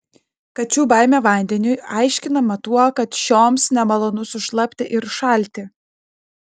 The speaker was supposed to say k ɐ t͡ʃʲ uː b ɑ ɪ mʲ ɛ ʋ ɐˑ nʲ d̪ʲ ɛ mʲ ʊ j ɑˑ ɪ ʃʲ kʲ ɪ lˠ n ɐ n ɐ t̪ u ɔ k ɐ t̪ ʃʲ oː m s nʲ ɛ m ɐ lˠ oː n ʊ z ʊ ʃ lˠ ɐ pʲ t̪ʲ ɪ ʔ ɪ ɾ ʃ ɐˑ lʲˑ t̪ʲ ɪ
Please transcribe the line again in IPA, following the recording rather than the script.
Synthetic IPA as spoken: k ɐ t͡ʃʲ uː b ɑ ɪ mʲ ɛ ʋ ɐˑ nʲ d̪ʲ ɛ nʲ ʊ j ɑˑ ɪ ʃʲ kʲ ɪ n ɐ m ɐ t̪ u ɔ k ɐ t̪ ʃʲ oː m s nʲ ɛ m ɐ lˠ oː n ʊ s ʊ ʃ lˠ ɐ pʲ t̪ʲ ɪ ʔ ɪ ɾ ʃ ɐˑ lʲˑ t̪ʲ ɪ